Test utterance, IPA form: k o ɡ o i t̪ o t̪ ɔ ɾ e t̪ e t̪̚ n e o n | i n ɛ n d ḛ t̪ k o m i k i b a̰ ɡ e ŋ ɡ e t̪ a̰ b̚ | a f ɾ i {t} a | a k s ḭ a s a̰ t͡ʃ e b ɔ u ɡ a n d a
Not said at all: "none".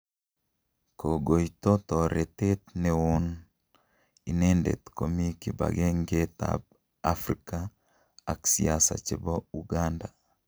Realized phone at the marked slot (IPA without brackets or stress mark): k